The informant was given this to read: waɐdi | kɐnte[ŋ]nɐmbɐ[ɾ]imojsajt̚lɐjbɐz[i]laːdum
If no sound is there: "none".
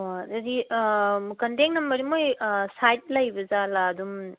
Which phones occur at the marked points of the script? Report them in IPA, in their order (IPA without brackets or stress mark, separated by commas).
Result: ŋ, ɾ, a